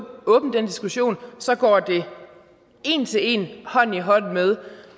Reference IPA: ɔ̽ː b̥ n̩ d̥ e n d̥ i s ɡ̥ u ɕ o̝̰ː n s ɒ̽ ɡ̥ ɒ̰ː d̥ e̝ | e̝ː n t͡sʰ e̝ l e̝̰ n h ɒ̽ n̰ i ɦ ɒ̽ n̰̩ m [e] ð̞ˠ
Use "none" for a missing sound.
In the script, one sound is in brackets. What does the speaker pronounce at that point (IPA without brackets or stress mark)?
e